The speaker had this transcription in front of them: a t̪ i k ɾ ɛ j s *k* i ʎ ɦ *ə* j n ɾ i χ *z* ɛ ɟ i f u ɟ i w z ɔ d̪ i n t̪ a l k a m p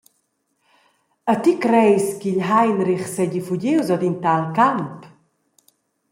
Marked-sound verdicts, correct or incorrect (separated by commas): correct, incorrect, incorrect